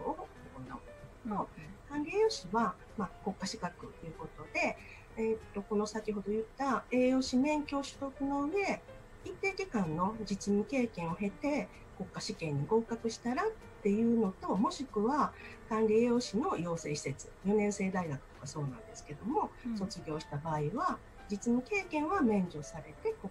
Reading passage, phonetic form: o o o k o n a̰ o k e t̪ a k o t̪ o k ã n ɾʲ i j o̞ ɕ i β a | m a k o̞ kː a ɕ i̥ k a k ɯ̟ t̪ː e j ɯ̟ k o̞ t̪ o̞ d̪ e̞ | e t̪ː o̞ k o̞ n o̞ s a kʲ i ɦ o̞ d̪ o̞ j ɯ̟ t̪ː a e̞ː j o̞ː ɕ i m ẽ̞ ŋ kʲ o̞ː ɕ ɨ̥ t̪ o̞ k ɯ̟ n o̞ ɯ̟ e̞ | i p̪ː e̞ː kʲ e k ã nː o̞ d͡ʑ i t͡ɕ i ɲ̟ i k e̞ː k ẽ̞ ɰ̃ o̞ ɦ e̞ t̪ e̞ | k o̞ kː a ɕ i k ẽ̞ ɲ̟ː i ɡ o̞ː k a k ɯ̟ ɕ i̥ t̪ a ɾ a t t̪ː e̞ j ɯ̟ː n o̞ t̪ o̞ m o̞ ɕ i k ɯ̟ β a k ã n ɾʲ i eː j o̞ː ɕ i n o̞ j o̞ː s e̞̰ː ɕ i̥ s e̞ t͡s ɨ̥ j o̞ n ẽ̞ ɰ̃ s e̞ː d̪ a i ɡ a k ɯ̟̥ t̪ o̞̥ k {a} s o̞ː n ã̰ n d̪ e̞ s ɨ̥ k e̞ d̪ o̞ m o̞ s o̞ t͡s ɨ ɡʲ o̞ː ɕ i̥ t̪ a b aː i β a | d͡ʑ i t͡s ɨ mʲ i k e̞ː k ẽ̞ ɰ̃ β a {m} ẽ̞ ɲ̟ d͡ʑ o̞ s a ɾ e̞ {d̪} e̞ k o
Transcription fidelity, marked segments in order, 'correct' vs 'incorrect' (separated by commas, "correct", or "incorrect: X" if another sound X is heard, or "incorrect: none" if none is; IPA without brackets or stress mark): correct, correct, incorrect: t̪